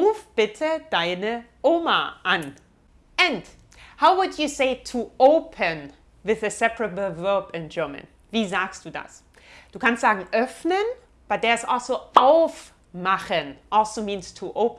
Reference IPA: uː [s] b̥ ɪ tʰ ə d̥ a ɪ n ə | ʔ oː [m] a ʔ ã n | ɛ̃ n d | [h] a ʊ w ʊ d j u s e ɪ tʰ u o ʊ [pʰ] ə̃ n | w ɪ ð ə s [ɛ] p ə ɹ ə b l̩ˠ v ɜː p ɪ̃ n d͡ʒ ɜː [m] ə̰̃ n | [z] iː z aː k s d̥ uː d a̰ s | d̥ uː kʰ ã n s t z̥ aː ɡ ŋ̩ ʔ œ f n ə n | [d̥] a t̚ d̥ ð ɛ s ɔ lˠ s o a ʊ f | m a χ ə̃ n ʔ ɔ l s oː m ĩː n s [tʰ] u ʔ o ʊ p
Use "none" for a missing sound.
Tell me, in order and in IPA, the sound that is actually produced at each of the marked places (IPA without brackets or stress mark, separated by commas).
f, m, h, pʰ, ɛ, m, v, b̥, tʰ